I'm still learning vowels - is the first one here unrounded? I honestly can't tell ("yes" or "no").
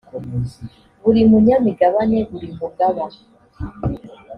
no